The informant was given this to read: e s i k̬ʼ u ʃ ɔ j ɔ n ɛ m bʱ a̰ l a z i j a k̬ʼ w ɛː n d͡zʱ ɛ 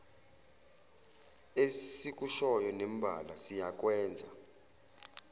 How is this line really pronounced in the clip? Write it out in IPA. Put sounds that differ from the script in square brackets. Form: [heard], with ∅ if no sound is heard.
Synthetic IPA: e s i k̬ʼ u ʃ ɔ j ɔ n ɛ m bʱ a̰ l a [s] i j a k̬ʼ w ɛː n d͡zʱ [a]